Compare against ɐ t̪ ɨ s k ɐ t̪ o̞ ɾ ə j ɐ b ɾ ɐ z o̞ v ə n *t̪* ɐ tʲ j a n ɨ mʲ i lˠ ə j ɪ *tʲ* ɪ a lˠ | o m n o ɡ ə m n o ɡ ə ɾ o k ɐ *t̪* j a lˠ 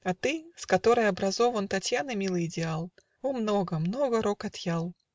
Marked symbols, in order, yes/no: yes, no, yes

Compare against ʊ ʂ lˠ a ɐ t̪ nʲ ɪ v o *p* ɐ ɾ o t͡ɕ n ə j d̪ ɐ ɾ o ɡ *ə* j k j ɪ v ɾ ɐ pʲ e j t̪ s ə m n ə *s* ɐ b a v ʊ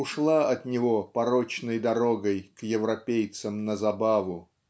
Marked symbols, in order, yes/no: yes, yes, no

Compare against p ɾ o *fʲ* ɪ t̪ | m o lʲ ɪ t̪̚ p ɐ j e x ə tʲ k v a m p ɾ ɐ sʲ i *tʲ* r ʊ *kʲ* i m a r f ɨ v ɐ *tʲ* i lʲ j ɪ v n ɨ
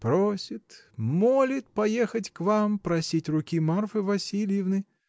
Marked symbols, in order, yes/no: no, yes, yes, no

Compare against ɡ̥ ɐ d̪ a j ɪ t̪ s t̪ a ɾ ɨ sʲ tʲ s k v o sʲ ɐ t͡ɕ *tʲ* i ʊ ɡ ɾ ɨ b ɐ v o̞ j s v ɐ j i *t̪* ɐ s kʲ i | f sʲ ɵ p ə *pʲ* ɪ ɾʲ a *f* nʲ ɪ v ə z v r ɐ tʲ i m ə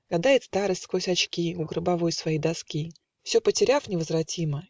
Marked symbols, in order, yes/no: no, no, no, yes

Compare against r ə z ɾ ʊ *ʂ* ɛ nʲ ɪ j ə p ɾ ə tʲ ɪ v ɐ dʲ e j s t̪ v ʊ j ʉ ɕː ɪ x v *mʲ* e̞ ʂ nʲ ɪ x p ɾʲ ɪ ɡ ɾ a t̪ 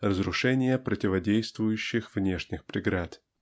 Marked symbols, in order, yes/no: yes, no

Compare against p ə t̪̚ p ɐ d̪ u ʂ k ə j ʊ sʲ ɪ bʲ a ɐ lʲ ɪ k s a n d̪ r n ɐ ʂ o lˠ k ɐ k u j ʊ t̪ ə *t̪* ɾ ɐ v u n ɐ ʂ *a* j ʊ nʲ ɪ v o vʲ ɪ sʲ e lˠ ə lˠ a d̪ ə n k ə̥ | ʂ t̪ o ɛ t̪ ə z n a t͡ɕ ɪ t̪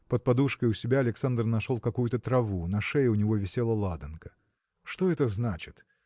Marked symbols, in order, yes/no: yes, no

